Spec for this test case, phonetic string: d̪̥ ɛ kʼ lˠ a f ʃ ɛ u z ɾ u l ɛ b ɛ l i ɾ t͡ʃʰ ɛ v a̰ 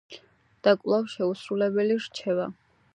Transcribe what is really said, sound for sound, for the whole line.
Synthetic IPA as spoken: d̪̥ a kʼ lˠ a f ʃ ɛ u s ɾ u l ɛ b ɛ l i ɾ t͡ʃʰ ɛ v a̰

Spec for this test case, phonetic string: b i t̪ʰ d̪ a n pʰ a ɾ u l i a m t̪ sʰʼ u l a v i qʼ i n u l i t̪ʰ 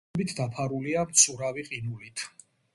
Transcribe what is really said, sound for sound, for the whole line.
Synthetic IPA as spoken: b i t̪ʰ d̪ a pʰ a ɾ u l i a m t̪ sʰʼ u ɾ a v i qʼ i n u l i t̪ʰ

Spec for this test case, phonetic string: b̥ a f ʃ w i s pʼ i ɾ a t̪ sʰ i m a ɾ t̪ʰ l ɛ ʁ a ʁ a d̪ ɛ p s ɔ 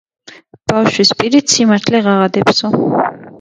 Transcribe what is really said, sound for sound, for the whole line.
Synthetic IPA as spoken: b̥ a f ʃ w i s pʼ i ɾ i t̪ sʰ i m a ɾ t̪ʰ l ɛ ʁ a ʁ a d̪ ɛ p s ɔ

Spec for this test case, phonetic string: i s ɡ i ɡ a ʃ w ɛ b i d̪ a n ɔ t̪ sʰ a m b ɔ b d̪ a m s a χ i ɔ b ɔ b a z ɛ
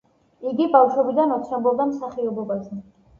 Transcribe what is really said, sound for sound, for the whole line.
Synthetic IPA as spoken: i ɡ i b a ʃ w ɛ b i d̪ a n ɔ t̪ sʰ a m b ɔ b d̪ a m s a χ i ɔ b ɔ b a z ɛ

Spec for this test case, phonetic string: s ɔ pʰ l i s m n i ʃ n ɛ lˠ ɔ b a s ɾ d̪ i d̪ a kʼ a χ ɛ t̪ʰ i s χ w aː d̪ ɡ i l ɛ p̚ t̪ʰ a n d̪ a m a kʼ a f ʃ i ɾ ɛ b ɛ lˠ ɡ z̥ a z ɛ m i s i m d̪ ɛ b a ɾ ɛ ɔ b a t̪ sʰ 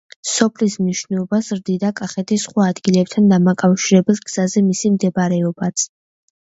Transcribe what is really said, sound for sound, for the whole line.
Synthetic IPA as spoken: s ɔ pʰ l i s m n i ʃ n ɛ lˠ ɔ b a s ɾ d̪ i d̪ a kʼ a χ ɛ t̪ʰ i s χ w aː d̪ ɡ i l ɛ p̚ t̪ʰ a n d̪ a m a kʼ a f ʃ i ɾ ɛ b ɛ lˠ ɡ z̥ a z ɛ m i s i m d̪ ɛ b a ɾ ɛ ɔ b a t̪ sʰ

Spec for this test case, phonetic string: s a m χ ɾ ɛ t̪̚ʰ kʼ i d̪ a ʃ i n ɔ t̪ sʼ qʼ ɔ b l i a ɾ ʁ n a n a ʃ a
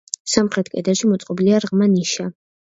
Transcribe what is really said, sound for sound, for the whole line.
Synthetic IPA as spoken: s a m χ ɾ ɛ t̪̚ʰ kʼ ɛ d̪ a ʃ i m ɔ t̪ sʼ qʼ ɔ b l i a ɾ ʁ m a n i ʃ a

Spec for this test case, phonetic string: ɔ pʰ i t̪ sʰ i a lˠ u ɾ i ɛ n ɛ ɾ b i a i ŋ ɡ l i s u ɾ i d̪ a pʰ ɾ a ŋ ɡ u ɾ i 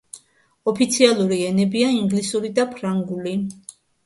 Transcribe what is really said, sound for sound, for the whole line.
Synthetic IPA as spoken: ɔ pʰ i t̪ sʰ i a lˠ u ɾ i ɛ n ɛ b i a i ŋ ɡ l i s u ɾ i d̪ a pʰ ɾ a ŋ ɡ u l i

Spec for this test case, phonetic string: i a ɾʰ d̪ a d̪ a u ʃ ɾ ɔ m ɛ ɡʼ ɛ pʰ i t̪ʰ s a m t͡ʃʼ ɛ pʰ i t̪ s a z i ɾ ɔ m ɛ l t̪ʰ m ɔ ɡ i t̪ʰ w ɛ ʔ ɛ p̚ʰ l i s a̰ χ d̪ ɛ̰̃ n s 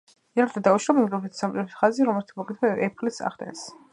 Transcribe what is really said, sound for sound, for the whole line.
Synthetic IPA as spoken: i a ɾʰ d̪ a d̪ a u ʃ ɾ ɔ m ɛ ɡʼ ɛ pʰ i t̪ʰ s a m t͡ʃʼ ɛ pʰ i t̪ χ a z i ɾ ɔ m ɛ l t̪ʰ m ɔ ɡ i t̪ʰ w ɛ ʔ ɛ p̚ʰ l i s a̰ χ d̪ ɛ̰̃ n s

